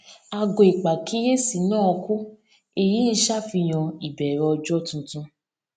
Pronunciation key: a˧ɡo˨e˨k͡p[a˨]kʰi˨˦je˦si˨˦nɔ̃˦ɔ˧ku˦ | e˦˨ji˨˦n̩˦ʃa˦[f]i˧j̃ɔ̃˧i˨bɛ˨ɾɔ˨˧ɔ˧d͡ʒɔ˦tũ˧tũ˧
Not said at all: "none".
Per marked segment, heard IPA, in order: a˨, f

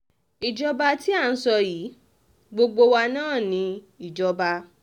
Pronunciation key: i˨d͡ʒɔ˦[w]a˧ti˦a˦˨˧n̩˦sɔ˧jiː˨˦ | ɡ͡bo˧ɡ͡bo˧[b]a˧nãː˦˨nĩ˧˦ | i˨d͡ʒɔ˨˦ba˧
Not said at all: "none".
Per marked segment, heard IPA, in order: b, w

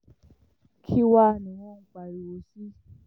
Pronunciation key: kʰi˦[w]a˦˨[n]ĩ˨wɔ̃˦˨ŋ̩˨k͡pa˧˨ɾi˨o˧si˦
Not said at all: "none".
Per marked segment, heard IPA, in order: w, n

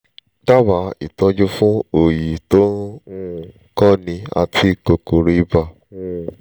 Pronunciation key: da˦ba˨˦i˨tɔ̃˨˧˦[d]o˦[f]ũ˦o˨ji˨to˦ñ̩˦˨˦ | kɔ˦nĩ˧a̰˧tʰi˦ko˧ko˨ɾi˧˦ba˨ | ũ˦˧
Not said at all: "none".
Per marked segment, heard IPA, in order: d͡ʒ, f

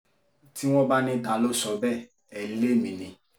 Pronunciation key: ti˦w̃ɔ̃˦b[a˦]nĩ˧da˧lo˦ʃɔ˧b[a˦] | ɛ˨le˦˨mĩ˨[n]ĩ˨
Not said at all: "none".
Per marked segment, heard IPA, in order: a˦, ɛ˦, n

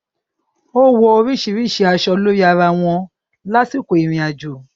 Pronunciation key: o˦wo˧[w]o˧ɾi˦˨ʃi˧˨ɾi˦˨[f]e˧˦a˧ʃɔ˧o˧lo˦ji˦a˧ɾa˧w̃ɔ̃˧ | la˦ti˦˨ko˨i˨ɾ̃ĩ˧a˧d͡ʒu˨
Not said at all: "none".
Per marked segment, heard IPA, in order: none, ʃ

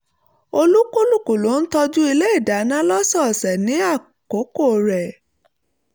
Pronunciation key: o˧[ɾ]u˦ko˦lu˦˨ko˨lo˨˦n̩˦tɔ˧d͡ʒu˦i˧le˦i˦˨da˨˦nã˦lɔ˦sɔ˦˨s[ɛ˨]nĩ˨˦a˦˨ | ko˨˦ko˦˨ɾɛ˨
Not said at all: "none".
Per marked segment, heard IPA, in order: l, ɛ˨

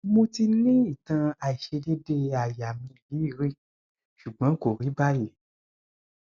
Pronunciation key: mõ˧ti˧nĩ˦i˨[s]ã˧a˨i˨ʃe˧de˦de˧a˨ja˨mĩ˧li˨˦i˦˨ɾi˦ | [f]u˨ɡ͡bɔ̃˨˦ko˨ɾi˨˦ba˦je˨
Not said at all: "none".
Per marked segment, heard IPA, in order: t, ʃ

